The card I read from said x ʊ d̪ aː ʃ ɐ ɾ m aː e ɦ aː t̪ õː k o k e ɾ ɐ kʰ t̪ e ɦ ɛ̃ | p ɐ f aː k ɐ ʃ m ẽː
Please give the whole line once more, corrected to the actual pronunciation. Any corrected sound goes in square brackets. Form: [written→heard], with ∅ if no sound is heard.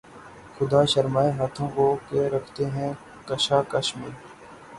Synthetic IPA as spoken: x ʊ d̪ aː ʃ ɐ ɾ m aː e ɦ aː [t̪→t̪ʰ] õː k o k e ɾ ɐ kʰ t̪ e ɦ ɛ̃ | [p→k] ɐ [f→ʃ] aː k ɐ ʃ m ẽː